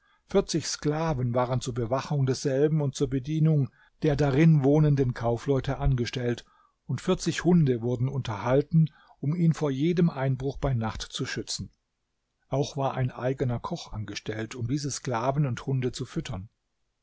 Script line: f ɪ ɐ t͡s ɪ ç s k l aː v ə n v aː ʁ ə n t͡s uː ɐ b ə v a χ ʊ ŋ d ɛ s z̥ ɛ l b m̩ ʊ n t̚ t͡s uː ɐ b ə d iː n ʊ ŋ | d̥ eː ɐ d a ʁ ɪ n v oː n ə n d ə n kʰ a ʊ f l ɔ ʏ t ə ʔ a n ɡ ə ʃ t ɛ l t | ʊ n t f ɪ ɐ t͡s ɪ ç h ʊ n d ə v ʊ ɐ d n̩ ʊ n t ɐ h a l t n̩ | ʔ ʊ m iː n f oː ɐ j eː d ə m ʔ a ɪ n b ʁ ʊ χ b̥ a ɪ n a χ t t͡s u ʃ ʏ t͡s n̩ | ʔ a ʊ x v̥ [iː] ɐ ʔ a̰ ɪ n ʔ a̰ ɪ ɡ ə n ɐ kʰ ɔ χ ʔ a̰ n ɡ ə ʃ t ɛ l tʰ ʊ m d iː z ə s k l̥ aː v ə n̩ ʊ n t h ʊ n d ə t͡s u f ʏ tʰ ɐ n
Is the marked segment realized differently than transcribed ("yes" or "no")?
yes